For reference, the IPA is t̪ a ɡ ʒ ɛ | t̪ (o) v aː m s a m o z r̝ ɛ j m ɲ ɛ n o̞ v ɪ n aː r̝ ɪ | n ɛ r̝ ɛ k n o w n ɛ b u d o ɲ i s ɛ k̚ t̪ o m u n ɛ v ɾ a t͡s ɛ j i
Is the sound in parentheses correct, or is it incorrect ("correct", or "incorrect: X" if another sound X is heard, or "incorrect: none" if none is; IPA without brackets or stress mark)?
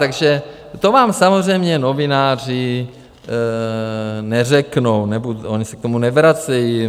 correct